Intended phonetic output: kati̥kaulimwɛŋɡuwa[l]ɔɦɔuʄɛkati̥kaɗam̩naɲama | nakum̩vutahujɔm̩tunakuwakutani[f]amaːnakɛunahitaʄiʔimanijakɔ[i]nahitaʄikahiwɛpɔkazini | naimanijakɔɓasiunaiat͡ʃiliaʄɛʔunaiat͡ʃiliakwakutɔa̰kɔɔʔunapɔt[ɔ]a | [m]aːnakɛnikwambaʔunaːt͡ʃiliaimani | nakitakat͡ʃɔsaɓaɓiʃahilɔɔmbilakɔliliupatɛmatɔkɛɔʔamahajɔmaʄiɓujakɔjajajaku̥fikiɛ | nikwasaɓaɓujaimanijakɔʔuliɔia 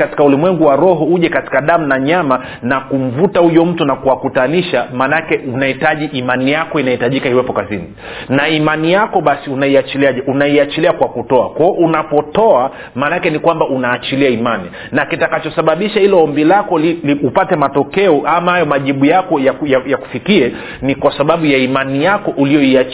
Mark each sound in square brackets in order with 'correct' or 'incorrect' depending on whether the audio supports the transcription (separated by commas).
incorrect, incorrect, correct, correct, correct